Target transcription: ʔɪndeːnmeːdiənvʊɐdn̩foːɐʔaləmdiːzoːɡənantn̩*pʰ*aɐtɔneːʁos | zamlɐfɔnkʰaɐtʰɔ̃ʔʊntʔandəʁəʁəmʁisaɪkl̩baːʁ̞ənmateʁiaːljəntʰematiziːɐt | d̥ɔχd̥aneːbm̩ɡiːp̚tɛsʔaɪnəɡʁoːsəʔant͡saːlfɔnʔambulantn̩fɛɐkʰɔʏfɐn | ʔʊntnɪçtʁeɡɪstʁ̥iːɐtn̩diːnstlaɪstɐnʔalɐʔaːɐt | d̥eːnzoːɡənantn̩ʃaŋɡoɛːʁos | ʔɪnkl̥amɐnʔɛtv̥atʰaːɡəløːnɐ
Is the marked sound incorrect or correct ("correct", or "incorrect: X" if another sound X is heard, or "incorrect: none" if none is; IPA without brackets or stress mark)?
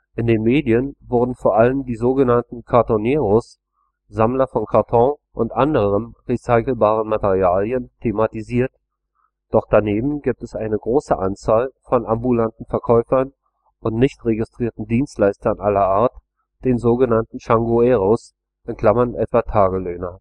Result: incorrect: kʰ